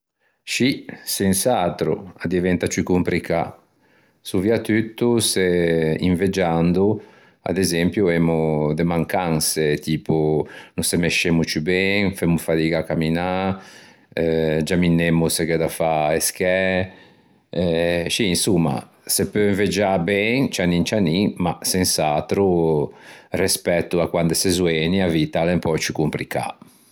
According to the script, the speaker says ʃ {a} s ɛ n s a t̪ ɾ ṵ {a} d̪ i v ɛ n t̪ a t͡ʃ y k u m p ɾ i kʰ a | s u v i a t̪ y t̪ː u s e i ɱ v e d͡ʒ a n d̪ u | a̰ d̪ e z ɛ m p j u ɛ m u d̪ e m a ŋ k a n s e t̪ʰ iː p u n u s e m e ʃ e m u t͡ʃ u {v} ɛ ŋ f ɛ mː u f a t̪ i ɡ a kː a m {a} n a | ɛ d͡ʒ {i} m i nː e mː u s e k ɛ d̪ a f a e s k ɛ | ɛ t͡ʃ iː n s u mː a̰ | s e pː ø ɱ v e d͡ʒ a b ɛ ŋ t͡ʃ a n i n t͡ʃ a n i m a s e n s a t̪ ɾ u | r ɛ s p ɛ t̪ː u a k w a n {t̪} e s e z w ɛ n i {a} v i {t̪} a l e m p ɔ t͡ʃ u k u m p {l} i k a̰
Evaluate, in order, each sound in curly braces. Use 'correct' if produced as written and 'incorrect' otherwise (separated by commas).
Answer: incorrect, correct, incorrect, incorrect, incorrect, incorrect, correct, correct, incorrect